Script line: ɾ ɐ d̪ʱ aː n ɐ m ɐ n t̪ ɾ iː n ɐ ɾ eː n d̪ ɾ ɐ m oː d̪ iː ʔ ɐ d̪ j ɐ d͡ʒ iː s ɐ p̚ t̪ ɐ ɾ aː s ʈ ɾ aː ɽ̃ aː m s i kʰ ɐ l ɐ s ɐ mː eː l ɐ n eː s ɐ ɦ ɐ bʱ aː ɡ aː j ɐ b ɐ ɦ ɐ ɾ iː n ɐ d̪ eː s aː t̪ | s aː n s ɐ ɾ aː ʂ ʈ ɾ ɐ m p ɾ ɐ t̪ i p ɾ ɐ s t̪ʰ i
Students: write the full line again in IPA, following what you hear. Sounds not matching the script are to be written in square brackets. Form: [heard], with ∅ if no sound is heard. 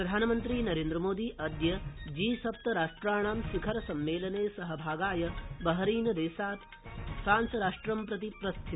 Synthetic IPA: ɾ ɐ d̪ʱ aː n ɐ m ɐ n t̪ ɾ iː n ɐ ɾ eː n d̪ ɾ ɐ m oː d̪ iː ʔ ɐ d̪ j ɐ d͡ʒ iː s ɐ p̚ t̪ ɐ ɾ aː [ʂ] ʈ ɾ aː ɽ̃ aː m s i kʰ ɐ [ɾ] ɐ s ɐ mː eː l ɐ n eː s ɐ ɦ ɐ bʱ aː ɡ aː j ɐ b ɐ ɦ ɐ ɾ iː n ɐ d̪ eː s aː t̪ | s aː n s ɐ ɾ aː ʂ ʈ ɾ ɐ m p ɾ ɐ t̪ i p ɾ ɐ s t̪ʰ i